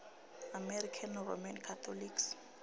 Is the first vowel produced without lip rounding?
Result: yes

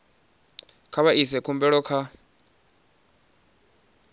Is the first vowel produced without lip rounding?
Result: yes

